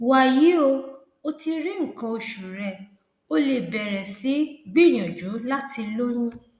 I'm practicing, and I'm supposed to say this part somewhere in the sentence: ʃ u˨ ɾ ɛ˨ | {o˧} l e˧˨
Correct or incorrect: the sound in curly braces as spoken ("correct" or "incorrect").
correct